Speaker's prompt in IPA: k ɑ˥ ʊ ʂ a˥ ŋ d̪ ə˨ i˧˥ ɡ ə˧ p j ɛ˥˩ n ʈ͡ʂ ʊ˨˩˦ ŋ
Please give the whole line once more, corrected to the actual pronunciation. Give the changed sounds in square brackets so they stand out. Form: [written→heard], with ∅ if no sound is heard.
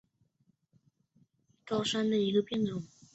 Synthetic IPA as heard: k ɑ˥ ʊ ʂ a˥ [ŋ→n] d̪ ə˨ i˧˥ ɡ ə˧ p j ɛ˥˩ n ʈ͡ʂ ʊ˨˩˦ ŋ